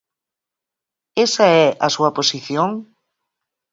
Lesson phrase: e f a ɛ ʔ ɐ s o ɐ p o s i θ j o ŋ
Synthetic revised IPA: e s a ɛ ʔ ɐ s u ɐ p o s i θ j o ŋ